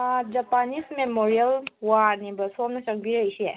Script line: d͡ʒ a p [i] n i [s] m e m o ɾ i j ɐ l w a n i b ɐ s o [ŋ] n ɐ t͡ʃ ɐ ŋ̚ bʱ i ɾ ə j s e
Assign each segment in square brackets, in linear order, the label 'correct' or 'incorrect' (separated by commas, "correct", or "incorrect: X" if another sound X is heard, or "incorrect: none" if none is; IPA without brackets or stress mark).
incorrect: a, correct, incorrect: m